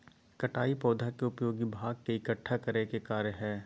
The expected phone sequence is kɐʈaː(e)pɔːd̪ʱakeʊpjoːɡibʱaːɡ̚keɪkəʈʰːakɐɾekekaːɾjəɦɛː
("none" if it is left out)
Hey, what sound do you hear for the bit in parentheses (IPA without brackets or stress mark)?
i